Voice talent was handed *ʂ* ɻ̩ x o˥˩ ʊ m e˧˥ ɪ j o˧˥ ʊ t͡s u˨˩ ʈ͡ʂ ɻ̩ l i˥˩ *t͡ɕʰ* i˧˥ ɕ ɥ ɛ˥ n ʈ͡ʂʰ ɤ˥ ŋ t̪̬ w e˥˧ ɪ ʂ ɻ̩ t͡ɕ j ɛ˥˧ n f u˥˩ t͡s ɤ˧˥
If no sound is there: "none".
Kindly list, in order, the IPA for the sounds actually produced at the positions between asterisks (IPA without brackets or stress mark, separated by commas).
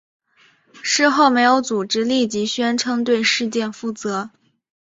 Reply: ʂ, t͡ɕ